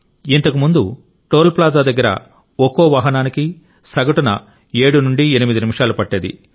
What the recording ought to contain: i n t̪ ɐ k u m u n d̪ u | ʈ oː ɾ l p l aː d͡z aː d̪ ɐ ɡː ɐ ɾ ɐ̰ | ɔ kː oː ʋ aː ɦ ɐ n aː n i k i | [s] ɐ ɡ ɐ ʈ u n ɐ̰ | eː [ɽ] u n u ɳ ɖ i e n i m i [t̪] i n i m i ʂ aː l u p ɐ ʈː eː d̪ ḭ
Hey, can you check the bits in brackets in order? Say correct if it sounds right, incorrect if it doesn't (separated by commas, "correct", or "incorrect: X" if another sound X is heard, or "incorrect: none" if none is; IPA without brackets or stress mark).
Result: correct, correct, incorrect: d̪